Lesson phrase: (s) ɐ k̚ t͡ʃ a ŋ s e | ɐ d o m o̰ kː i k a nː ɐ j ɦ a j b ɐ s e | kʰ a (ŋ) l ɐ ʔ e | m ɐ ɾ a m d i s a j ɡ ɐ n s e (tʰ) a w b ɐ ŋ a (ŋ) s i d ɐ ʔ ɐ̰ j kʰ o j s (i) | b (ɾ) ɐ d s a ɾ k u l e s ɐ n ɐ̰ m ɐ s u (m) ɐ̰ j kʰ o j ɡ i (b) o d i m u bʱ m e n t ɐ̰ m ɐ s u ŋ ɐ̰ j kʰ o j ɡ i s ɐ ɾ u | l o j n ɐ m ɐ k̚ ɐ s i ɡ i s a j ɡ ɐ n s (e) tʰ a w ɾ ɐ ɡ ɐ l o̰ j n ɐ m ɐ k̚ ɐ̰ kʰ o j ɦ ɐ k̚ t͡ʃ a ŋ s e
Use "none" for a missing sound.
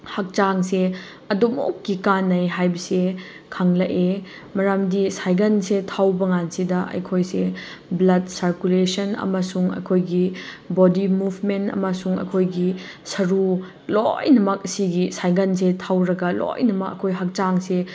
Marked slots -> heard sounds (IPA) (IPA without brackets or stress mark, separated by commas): h, ŋ, tʰ, n, e, l, ŋ, b, e